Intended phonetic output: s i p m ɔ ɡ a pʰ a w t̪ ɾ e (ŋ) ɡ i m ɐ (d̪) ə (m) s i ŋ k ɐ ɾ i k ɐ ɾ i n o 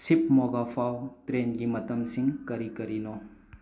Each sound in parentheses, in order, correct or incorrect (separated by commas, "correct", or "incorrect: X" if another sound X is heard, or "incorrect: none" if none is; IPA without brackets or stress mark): incorrect: n, incorrect: t̪, correct